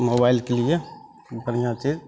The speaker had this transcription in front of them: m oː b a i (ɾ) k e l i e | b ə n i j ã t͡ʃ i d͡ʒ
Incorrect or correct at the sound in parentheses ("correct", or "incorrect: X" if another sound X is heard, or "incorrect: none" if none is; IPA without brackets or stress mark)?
incorrect: l